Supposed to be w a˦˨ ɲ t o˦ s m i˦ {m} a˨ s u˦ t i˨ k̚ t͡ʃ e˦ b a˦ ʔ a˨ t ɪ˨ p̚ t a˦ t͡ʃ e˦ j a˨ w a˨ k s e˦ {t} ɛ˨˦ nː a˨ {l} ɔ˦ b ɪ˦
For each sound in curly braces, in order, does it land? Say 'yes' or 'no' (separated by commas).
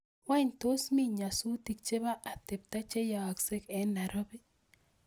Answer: no, no, no